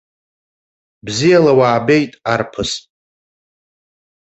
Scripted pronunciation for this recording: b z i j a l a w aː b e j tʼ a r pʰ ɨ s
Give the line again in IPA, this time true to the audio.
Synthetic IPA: b z i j a l a w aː b e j tʼ a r pʰ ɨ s